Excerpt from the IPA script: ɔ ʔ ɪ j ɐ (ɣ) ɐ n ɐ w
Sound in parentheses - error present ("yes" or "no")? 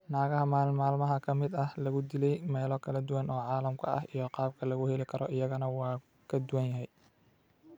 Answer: no